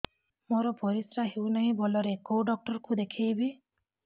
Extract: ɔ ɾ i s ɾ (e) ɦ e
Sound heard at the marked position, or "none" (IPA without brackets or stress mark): a